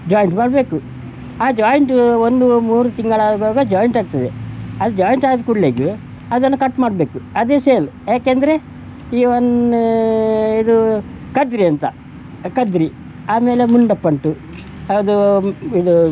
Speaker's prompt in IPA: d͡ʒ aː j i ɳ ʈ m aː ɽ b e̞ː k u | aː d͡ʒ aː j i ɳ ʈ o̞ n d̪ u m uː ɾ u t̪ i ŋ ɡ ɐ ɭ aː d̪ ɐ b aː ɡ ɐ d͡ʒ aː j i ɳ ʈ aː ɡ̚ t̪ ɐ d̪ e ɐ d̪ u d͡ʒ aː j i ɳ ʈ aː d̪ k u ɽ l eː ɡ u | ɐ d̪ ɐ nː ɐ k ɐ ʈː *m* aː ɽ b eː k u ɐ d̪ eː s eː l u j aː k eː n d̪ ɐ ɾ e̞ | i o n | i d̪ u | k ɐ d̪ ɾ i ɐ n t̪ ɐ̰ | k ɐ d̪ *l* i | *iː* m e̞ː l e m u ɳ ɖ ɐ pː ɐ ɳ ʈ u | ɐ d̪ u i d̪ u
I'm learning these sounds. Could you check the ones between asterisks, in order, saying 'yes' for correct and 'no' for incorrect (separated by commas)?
yes, no, no